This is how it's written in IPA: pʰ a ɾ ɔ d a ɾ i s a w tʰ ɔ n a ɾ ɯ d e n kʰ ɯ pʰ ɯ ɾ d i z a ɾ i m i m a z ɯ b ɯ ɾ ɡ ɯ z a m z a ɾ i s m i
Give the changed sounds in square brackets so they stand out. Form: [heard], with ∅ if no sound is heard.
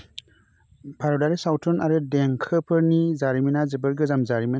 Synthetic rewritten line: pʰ a ɾ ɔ d a ɾ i s a w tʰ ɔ n a ɾ ɯ d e [ŋ] kʰ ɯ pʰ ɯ ɾ [n] i z a ɾ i m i [n] a z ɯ b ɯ ɾ ɡ ɯ z a m z a ɾ i [∅] m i

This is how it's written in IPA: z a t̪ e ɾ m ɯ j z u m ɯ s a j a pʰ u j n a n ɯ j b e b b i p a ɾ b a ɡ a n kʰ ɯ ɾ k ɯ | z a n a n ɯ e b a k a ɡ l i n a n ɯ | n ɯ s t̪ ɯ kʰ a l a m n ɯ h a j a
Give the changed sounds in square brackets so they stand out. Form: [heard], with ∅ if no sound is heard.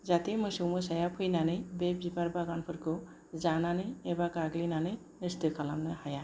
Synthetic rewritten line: z a t̪ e [∅] m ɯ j [s] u m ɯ s a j a pʰ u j n a n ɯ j b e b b i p a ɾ b a ɡ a n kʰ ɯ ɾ k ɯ | z a n a n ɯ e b a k a ɡ l i n a n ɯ | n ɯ s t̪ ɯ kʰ a l a m n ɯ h a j a

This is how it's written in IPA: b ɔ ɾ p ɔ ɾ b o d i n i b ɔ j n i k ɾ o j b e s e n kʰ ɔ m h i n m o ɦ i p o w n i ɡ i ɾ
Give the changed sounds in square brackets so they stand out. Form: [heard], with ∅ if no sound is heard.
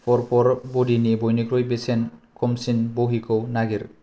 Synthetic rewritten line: [p] ɔ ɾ p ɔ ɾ b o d i n i b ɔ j n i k ɾ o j b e s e n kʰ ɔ m [s] i n [b] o ɦ i [k] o w n [a] ɡ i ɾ

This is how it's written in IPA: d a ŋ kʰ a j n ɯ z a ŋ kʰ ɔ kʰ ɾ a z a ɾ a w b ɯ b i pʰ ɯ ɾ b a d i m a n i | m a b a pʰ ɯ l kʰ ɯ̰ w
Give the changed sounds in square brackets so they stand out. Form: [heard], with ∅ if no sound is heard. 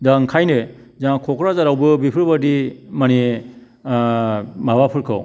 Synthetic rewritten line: d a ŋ kʰ a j n ɯ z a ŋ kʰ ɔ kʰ ɾ a z a ɾ a w b ɯ b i pʰ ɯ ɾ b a d i m a n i | m a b a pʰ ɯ [ɾ] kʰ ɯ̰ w

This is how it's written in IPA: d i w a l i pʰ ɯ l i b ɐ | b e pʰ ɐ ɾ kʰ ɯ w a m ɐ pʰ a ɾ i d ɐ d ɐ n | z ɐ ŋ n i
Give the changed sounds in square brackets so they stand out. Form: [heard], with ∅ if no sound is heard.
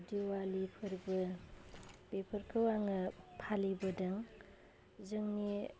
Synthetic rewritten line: d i w a l i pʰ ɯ [ɾ] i b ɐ | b e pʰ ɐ ɾ kʰ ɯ w a [ŋ] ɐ pʰ a [l] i [b] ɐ d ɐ [ŋ] | z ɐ ŋ n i

